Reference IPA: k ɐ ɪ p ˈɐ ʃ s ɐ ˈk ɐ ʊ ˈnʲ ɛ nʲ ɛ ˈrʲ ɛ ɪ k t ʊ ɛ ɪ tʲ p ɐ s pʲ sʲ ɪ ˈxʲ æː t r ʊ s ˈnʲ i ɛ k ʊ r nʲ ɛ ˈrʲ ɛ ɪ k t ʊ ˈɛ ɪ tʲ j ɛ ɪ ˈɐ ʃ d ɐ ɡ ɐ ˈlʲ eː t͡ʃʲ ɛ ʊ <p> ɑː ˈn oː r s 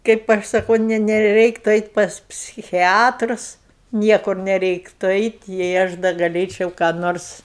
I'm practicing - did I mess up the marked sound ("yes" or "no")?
yes